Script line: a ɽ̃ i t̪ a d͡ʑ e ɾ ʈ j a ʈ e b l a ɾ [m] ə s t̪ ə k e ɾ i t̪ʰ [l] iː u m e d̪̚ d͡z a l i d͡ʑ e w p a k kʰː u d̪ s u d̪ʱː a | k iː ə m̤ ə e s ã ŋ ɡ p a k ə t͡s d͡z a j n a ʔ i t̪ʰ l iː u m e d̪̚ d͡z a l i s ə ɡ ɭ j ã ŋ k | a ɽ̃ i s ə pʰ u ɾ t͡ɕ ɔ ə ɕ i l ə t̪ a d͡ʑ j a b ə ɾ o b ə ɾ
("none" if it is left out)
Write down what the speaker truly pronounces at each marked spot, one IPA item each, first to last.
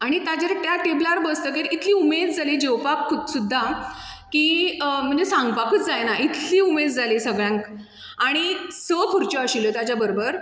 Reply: b, l

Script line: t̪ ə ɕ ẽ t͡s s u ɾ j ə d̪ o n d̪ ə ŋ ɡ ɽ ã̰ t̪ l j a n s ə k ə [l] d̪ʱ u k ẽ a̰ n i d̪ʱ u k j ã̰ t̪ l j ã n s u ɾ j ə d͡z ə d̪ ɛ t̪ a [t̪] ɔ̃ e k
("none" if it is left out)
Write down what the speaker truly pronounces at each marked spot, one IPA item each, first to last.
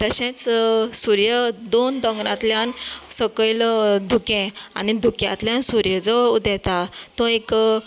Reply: l, t̪

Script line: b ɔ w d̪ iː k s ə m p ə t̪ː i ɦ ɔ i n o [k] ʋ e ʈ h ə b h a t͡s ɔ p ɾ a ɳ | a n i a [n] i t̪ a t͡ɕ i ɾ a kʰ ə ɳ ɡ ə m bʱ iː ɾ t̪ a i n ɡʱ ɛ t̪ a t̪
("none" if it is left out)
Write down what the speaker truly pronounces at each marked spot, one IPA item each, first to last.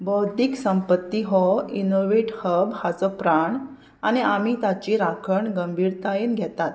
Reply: none, m

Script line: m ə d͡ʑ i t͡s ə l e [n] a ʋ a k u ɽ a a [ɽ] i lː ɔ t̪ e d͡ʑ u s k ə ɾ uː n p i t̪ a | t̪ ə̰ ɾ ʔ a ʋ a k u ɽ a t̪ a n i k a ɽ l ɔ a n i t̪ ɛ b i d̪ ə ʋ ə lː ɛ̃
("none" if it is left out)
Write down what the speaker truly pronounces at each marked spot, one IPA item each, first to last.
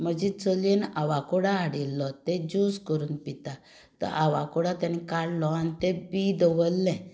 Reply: n, ɽ

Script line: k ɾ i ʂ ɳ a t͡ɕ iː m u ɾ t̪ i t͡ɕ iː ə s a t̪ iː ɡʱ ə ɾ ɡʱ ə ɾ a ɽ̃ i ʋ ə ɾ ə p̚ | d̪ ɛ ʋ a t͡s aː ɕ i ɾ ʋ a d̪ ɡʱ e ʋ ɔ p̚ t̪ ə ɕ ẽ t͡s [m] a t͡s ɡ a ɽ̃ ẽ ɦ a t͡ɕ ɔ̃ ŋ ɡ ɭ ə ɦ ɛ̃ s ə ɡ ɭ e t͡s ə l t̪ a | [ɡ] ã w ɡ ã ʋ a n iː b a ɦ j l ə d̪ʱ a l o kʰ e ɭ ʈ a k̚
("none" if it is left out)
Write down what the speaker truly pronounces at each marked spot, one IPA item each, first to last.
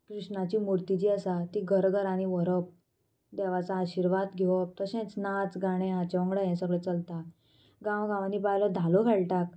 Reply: n, ɡ

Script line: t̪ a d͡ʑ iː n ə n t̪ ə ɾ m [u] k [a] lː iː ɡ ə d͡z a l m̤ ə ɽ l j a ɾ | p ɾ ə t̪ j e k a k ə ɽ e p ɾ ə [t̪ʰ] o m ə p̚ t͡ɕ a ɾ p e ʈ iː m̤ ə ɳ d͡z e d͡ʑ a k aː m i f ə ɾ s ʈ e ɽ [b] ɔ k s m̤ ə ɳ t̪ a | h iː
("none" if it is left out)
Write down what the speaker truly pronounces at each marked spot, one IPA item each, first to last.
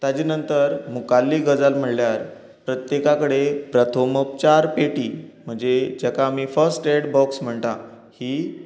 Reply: u, a, t̪ʰ, b

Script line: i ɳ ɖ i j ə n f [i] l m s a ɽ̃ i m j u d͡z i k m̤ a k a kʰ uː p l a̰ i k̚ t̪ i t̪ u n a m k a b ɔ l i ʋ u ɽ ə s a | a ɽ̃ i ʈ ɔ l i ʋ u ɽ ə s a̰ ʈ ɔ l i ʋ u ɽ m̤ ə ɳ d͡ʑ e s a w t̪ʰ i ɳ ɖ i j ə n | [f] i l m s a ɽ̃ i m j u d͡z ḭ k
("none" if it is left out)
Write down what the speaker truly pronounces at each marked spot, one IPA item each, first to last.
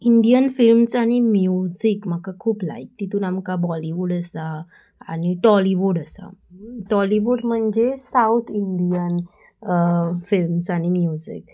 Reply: i, f

